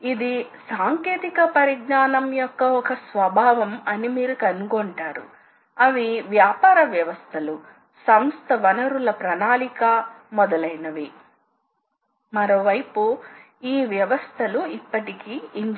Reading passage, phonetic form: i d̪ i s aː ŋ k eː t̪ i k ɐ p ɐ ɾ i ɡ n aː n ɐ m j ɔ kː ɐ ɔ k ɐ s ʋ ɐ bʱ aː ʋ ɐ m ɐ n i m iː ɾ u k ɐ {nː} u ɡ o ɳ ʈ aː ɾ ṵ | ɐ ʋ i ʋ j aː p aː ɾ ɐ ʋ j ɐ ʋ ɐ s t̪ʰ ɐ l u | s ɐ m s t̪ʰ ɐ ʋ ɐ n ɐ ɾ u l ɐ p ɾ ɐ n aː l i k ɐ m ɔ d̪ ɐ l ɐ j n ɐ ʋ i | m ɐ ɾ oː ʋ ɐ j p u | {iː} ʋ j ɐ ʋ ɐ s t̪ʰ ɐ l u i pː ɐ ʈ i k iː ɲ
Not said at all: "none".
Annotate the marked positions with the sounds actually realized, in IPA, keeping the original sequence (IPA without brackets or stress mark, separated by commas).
n, iː